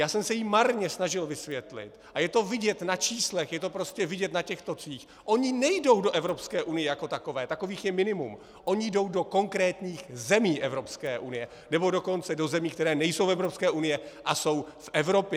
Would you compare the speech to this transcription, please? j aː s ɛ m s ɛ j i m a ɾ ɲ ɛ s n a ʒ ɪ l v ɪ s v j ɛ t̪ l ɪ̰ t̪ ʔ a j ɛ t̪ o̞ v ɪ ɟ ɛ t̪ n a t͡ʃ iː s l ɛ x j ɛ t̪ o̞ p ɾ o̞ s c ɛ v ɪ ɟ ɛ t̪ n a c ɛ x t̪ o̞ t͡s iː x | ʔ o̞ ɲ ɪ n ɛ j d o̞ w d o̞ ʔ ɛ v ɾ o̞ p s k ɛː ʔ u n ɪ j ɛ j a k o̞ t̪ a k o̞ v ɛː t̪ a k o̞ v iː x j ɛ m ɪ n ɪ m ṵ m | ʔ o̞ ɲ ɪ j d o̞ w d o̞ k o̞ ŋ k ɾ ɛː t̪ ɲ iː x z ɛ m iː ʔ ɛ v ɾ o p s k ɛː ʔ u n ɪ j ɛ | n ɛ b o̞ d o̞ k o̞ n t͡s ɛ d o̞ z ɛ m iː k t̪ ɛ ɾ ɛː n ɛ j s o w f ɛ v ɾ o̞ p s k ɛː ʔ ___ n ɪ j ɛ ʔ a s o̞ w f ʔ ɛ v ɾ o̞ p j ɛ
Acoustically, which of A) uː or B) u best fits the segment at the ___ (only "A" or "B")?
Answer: B